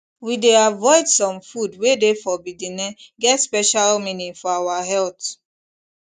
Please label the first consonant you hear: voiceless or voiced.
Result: voiced